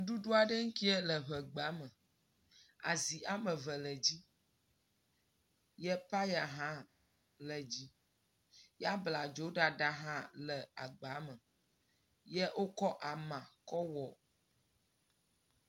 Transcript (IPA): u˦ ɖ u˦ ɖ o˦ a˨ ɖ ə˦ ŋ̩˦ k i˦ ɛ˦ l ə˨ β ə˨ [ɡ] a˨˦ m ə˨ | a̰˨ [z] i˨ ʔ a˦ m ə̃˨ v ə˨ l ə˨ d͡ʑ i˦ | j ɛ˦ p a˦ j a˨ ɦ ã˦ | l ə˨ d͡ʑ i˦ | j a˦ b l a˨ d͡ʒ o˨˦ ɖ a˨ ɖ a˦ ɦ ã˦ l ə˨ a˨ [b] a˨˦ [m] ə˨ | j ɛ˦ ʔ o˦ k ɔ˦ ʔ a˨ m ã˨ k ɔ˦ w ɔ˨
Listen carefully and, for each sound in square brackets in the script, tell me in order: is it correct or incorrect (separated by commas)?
incorrect, correct, incorrect, correct